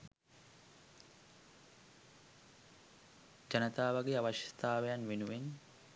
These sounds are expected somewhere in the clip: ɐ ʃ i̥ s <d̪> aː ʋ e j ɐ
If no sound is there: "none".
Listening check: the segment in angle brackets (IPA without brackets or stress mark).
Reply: t̪